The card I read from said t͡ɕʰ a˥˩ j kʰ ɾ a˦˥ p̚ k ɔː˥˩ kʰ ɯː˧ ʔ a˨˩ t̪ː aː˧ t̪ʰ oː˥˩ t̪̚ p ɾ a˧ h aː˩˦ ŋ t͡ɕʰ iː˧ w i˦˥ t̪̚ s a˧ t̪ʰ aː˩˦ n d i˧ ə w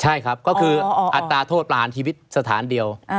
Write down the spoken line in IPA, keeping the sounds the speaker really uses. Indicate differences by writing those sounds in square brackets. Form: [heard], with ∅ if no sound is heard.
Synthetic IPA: t͡ɕʰ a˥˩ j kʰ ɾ a˦˥ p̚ k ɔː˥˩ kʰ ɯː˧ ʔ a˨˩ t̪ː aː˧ t̪ʰ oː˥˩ t̪̚ p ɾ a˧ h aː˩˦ [n] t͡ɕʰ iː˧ w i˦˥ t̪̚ s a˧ t̪ʰ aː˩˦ n d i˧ ə w